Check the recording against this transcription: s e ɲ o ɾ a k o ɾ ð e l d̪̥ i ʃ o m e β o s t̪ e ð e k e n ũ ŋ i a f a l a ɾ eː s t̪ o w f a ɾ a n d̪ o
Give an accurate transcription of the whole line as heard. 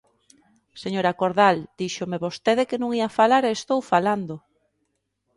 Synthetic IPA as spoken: s e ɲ o ɾ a k o ɾ ð a l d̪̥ i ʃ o m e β o s t̪ e ð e k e n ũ ŋ i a f a l a ɾ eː s t̪ o w f a l a n d̪ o